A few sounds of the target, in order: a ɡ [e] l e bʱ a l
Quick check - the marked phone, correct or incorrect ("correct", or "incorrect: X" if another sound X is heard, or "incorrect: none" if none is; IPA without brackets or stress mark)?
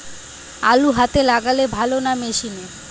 incorrect: a